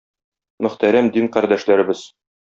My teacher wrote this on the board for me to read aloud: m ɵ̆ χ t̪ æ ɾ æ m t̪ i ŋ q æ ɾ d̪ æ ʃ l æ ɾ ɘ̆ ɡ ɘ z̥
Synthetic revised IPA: m ɵ̆ χ t̪ æ ɾ æ m d̪ i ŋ q æ ɾ d̪ æ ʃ l æ ɾ ɘ̆ b ɘ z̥